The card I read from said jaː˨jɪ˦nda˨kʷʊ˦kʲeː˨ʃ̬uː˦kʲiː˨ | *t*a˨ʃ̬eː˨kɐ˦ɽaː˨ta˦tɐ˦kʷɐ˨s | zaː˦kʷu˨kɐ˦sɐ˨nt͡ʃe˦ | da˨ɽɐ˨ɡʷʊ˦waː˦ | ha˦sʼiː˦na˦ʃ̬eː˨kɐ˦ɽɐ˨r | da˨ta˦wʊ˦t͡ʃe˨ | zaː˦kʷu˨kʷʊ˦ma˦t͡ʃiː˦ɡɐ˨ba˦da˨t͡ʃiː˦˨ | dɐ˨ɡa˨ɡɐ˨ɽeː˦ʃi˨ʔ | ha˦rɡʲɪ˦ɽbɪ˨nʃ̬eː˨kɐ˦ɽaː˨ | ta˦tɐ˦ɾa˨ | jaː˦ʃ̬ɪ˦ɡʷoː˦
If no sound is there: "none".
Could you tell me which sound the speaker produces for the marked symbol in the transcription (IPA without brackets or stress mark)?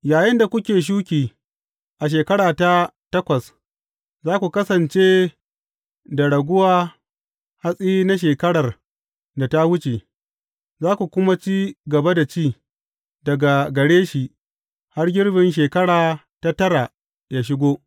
ʔ